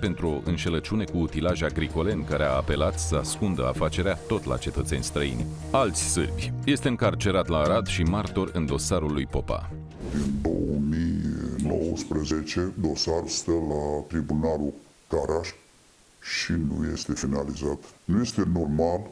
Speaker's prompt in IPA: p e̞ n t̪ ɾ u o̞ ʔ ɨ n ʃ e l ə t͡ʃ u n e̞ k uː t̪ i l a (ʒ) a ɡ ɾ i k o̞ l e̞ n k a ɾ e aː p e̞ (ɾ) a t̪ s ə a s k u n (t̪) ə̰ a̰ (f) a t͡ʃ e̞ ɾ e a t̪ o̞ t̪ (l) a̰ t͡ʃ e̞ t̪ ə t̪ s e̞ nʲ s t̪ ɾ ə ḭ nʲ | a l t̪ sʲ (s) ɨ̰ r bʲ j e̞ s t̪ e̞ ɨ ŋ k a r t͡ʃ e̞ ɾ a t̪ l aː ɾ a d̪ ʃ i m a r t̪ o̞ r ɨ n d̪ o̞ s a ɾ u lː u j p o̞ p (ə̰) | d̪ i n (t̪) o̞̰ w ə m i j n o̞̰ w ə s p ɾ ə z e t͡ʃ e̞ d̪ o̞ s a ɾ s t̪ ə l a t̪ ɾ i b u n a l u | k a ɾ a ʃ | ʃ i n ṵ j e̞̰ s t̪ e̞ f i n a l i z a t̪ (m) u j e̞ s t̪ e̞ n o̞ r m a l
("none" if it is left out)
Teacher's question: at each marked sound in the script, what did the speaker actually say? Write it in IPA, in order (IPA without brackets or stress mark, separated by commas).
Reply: ʒ, l, d̪, f, l, s, a̰, d̪, n